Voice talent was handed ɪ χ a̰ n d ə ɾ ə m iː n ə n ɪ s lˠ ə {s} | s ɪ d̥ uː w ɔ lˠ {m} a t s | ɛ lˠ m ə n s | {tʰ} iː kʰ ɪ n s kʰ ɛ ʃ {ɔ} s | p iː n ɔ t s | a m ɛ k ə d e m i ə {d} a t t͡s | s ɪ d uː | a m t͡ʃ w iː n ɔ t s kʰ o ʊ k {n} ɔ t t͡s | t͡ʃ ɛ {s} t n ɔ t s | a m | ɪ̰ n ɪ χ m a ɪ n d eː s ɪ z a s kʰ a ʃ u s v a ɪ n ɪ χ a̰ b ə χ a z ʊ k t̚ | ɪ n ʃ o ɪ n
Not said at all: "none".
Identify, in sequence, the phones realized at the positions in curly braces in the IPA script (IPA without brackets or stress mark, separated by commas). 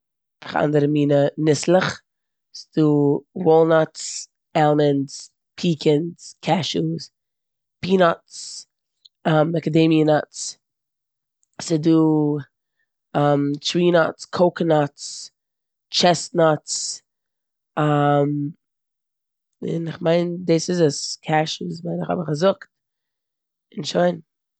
χ, n, pʰ, u, n, n, s